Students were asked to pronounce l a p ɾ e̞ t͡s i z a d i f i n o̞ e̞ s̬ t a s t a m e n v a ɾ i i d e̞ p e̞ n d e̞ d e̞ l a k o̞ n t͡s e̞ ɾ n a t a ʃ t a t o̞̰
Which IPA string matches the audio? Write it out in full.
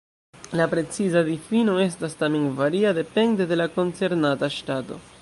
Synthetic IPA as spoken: l a p ɾ e̞ t͡s i z a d i f i n o̞ e̞ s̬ t a s t a m e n v a ɾ i a d e̞ p e̞ n d e̞ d e̞ l a k o̞ n t͡s e̞ ɾ n a t a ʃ t a t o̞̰